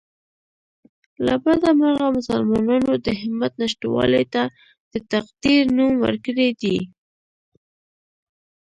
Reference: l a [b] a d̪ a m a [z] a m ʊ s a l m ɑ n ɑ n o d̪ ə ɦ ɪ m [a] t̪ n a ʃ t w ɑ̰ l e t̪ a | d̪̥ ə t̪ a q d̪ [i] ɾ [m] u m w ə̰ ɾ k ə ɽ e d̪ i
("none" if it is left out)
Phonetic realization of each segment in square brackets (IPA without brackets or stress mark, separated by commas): b, ɣ, a, i, n